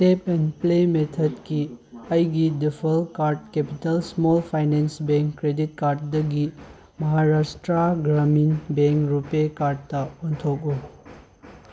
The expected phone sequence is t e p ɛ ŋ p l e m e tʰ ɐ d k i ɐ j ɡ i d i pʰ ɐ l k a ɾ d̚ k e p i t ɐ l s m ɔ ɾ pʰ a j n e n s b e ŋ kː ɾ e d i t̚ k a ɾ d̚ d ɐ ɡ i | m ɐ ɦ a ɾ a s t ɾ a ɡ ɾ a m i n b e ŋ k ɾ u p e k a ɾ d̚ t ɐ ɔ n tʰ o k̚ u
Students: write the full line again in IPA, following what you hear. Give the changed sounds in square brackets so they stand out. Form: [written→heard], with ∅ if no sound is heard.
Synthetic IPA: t e p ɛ [ŋ→n] p l e m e tʰ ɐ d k i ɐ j ɡ i d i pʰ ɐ l k a ɾ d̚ k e p i t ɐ l s m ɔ [ɾ→l] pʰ a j n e n s b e ŋ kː ɾ e d i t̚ k a ɾ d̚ d ɐ ɡ i | m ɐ ɦ a ɾ a s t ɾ a ɡ ɾ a m i n b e ŋ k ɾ u p e k a ɾ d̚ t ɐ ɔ n tʰ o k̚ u